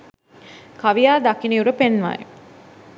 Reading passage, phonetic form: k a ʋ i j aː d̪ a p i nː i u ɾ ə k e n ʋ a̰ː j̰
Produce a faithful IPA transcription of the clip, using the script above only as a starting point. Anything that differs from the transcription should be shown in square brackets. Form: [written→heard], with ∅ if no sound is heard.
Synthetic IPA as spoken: k a ʋ i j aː d̪ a [p→k] i [nː→n] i u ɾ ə [k→p] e n ʋ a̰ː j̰